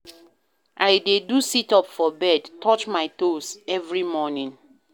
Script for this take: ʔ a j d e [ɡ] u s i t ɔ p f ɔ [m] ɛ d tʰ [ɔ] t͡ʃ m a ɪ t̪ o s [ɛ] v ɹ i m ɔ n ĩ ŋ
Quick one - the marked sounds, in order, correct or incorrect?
incorrect: d, incorrect: b, correct, correct

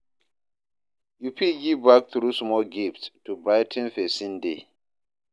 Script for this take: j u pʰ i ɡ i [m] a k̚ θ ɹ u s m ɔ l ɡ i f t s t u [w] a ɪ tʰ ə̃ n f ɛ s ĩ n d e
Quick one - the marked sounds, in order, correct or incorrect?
incorrect: b, incorrect: b

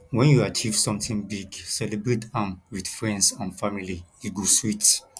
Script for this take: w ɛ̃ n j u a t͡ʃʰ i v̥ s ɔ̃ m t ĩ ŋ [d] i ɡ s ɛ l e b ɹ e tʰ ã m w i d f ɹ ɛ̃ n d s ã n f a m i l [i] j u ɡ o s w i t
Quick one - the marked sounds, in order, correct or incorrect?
incorrect: b, correct

